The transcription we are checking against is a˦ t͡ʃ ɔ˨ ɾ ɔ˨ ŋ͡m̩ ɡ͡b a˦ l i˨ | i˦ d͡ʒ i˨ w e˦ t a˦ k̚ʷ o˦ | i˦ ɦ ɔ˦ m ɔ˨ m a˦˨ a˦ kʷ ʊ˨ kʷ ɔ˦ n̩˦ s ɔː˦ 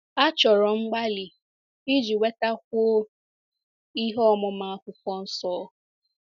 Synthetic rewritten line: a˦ t͡ʃ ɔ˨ ɾ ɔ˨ ŋ͡m̩ ɡ͡b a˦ l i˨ | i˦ d͡ʒ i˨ w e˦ t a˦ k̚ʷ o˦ | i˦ ɦ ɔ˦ m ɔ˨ m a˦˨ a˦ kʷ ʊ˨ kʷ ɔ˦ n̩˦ s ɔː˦